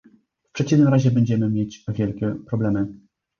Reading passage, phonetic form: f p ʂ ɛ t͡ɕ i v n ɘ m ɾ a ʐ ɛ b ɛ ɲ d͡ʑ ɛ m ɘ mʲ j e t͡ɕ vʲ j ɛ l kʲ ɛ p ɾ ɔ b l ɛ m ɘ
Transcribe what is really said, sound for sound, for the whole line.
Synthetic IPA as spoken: f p ʂ ɛ t͡ɕ i v n ɘ m ɾ a ʑ ɛ b ɛ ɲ d͡ʑ ɛ m ɘ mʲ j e t͡ɕ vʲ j ɛ l kʲ ɛ p ɾ ɔ b l ɛ m ɘ